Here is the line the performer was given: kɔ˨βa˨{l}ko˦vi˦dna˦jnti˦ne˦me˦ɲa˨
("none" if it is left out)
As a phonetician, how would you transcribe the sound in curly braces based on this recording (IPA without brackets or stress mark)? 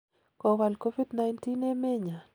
l